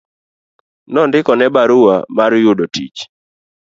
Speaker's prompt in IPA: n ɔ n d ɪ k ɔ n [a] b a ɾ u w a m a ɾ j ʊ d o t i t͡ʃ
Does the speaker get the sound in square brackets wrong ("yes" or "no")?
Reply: yes